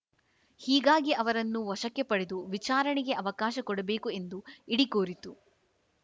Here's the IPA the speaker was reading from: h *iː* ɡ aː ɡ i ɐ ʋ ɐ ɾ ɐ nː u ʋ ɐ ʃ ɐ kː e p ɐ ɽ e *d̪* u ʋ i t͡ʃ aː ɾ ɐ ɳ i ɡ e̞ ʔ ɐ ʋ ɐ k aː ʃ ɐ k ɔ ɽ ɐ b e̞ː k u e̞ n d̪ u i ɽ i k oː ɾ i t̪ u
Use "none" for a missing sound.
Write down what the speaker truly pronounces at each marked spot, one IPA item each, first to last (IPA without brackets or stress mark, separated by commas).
iː, d̪